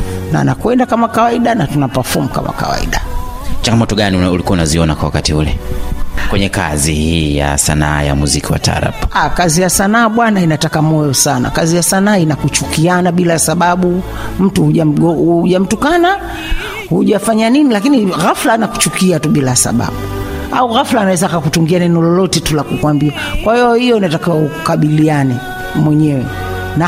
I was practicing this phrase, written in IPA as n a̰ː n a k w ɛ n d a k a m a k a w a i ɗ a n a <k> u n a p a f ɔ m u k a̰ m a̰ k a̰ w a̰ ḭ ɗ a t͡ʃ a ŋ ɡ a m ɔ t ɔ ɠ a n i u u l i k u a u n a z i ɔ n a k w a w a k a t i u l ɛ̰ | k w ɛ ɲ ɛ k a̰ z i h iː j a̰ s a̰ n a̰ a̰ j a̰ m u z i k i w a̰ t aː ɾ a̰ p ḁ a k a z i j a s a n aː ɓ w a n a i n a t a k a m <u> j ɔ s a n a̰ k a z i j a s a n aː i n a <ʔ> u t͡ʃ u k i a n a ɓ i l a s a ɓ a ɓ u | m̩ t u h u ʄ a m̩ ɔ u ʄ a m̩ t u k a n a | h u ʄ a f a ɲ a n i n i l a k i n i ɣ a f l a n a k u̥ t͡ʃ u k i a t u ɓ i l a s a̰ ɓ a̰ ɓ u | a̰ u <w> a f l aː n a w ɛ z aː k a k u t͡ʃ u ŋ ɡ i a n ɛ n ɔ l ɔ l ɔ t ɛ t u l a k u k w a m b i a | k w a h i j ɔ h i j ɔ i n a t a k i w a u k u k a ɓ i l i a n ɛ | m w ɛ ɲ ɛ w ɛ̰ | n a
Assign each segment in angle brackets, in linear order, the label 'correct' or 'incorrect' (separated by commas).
incorrect, incorrect, incorrect, incorrect